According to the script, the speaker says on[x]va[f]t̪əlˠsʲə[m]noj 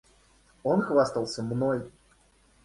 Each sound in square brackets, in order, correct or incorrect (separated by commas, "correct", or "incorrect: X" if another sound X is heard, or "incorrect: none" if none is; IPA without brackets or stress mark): correct, incorrect: s, correct